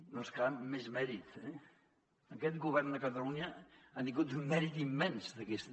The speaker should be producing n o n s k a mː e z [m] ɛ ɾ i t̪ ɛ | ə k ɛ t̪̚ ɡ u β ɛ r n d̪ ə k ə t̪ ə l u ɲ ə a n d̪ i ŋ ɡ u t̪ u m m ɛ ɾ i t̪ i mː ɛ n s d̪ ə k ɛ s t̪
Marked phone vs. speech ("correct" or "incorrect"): correct